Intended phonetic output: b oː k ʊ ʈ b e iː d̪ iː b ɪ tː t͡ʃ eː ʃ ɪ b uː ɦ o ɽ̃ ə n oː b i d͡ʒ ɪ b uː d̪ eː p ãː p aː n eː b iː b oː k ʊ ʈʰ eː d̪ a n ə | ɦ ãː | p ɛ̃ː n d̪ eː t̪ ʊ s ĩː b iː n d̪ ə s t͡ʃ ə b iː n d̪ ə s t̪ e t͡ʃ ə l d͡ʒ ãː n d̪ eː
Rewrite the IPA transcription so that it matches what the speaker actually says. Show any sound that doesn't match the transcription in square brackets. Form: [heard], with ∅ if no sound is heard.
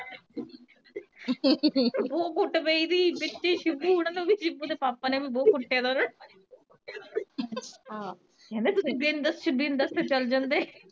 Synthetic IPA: b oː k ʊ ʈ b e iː d̪ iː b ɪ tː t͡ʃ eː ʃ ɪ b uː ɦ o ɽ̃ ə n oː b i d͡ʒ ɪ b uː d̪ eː p [aː] p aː n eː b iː b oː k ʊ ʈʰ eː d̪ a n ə | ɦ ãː | [k] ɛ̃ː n d̪ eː t̪ ʊ s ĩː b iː n d̪ ə s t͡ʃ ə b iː n d̪ ə s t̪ e t͡ʃ ə l d͡ʒ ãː n d̪ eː